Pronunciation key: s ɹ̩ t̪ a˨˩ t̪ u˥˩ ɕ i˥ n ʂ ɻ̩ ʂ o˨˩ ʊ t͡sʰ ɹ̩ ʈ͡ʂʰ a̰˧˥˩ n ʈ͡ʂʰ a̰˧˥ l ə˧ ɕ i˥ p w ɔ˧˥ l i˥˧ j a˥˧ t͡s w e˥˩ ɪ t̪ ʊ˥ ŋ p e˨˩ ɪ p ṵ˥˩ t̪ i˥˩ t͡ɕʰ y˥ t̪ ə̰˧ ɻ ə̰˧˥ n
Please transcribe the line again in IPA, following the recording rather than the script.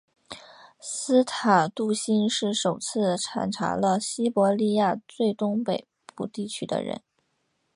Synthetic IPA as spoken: s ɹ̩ t̪ʰ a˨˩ t̪ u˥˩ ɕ i˥ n ʂ ɻ̩ ʂ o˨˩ ʊ t͡sʰ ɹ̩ ʈ͡ʂʰ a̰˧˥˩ n ʈ͡ʂʰ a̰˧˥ l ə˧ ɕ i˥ p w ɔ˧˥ l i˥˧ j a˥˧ t͡s w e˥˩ ɪ t̪ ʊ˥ ŋ p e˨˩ ɪ p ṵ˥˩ t̪ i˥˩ t͡ɕʰ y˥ d̪ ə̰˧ ɻ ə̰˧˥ n

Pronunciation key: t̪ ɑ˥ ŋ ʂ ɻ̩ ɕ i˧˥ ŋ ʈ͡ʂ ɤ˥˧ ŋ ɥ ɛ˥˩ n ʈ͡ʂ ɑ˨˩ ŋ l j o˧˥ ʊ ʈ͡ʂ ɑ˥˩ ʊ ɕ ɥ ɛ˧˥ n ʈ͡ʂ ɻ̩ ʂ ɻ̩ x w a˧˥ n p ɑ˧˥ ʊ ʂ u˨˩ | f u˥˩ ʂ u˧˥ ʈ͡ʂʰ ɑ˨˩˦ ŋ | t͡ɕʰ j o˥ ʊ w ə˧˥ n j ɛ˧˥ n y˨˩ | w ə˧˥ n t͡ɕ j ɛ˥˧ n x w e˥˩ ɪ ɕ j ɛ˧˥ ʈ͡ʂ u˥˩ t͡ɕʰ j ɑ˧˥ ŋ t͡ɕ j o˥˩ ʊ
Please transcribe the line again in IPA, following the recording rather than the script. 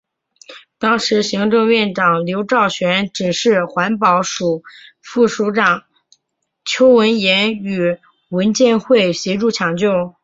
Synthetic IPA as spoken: t̪ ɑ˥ ŋ ʂ ɻ̩ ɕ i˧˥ ŋ ʈ͡ʂ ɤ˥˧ ŋ ɥ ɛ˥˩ n ʈ͡ʂ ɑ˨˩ ŋ l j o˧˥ ʊ ʈ͡ʂ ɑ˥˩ ʊ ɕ ɥ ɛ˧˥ n ʈ͡ʂ ɻ̩ ʂ ɻ̩ x w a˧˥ n p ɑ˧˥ ʊ ʂ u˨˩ | f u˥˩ ʂ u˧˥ ʈ͡ʂ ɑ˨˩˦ ŋ | t͡ɕʰ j o˥ ʊ w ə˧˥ n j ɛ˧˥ n y˨˩ | w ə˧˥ n t͡ɕ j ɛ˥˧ n x w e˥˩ ɪ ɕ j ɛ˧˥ ʈ͡ʂ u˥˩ t͡ɕʰ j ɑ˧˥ ŋ t͡ɕ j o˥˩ ʊ

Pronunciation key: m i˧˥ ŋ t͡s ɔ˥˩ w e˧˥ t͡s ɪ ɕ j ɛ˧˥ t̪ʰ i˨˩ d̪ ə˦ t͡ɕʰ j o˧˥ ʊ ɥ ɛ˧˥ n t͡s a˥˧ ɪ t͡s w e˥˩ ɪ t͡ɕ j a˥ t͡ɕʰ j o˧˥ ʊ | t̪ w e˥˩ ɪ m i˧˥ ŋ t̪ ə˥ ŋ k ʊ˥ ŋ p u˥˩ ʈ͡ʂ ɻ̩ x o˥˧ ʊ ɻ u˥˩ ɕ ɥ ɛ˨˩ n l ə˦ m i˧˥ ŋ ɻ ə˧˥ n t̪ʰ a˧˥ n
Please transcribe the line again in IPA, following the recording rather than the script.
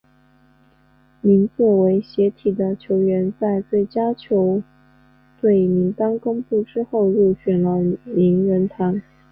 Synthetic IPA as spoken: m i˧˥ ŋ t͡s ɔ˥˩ w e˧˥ ɪ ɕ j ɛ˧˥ t̪ʰ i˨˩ d̪ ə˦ t͡ɕʰ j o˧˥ ʊ ɥ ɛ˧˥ n t͡s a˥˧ ɪ t͡s w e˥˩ ɪ t͡ɕ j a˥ t͡ɕʰ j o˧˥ ʊ | t̪ w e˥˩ ɪ m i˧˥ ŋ t̪ ɑ˥ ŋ k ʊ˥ ŋ p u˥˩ ʈ͡ʂ ɻ̩ x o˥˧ ʊ ɻ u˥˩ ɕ ɥ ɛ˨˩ n l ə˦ m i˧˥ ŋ ɻ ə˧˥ n t̪ʰ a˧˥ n

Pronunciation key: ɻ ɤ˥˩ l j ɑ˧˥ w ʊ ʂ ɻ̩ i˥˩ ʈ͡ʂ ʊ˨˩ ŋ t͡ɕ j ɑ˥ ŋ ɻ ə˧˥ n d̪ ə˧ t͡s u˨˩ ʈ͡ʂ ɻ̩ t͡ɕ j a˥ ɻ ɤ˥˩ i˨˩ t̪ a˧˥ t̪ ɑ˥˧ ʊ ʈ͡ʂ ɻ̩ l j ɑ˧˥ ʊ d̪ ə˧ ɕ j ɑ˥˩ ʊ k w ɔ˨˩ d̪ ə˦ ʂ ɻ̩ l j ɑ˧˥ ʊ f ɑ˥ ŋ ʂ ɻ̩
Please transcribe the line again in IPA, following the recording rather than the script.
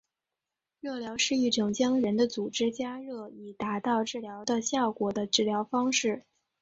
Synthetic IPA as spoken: ɻ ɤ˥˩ l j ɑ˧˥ ʊ ʂ ɻ̩ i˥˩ ʈ͡ʂ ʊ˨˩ ŋ t͡ɕ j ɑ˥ ŋ ɻ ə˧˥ n d̪ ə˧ t͡s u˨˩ ʈ͡ʂ ɻ̩ t͡ɕ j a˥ ɻ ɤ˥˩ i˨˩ t̪ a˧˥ t̪ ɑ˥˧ ʊ ʈ͡ʂ ɻ̩ l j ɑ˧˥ ʊ d̪ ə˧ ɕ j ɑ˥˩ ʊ k w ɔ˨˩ d̪ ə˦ ʈ͡ʂ ɻ̩ l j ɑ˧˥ ʊ f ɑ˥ ŋ ʂ ɻ̩

